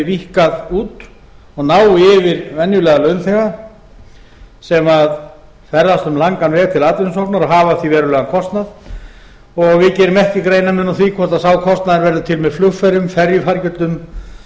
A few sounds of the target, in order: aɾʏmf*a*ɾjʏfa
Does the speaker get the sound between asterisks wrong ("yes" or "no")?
yes